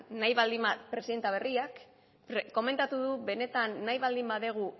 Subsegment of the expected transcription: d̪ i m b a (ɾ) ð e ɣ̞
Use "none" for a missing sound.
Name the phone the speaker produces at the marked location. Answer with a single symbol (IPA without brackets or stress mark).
none